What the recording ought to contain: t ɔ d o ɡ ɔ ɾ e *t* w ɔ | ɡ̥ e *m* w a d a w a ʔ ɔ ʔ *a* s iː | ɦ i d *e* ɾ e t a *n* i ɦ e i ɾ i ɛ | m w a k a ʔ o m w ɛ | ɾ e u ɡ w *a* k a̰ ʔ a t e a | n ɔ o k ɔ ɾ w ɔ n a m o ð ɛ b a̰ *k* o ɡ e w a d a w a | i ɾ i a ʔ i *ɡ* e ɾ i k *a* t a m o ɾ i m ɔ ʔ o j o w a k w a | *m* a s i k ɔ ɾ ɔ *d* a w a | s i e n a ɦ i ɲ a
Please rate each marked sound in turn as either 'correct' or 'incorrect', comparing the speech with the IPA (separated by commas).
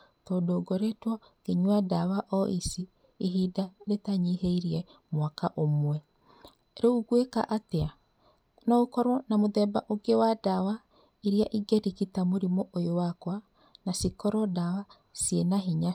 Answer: correct, incorrect, incorrect, incorrect, incorrect, incorrect, incorrect, correct, incorrect, incorrect, correct